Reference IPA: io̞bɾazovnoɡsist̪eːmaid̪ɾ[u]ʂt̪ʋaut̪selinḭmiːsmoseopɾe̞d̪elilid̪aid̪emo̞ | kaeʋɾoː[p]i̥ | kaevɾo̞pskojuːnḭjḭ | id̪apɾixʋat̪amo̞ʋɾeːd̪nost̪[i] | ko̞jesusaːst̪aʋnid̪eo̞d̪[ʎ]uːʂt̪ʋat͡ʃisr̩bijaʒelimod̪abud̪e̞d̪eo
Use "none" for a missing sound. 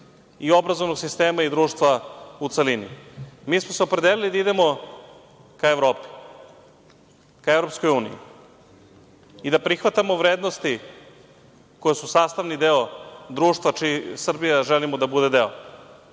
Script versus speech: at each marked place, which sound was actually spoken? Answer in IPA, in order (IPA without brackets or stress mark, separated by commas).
uː, p, i, ɾ